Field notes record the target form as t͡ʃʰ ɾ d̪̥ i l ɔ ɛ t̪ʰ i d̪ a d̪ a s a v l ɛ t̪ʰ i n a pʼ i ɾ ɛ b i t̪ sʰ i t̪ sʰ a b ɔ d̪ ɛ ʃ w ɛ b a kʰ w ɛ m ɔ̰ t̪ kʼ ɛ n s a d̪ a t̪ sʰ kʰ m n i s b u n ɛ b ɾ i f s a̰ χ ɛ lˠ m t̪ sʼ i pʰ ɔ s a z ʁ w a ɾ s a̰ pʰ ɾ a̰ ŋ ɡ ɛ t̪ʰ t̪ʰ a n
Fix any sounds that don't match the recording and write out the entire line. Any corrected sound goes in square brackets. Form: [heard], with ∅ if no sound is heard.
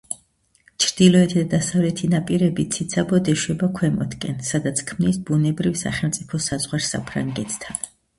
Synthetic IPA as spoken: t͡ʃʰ ɾ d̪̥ i l ɔ ɛ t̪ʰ i d̪ a d̪ a s a v l ɛ t̪ʰ i n a pʼ i ɾ ɛ b i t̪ sʰ i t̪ sʰ a b ɔ d̪ ɛ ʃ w ɛ b a kʰ w ɛ m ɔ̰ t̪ kʼ ɛ n s a d̪ a t̪ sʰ kʰ m n i s b u n ɛ b ɾ i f s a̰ χ ɛ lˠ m t̪ sʼ i pʰ ɔ s a z ʁ w a ɾ s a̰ pʰ ɾ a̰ ŋ ɡ ɛ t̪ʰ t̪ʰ a n